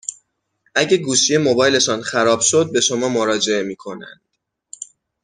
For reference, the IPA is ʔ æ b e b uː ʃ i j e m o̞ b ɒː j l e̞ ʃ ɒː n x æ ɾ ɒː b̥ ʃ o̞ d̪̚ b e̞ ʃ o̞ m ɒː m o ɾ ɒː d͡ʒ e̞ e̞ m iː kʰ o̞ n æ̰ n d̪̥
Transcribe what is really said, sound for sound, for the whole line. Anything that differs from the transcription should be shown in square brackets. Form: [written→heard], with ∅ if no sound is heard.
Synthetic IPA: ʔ æ [b→ɟ] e [b→ɡ] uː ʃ i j e m o̞ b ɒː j l e̞ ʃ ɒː n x æ ɾ ɒː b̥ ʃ o̞ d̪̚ b e̞ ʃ o̞ m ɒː m o ɾ ɒː d͡ʒ e̞ e̞ m iː kʰ o̞ n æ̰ n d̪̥